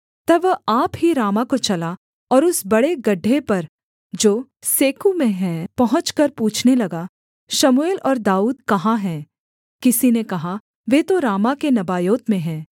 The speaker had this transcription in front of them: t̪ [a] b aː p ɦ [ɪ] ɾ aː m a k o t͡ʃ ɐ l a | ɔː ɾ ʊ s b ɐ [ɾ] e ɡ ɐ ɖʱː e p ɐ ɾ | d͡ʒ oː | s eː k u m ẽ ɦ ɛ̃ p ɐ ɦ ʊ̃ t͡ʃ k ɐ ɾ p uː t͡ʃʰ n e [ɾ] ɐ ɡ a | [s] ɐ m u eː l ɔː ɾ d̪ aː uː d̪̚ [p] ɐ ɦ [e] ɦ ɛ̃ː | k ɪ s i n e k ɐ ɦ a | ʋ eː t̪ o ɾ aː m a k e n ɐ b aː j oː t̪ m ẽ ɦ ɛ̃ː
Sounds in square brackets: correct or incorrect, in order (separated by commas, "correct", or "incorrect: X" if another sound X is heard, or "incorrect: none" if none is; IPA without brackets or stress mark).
incorrect: ɐ, incorrect: i, incorrect: ɽ, incorrect: l, incorrect: ʃ, incorrect: k, incorrect: a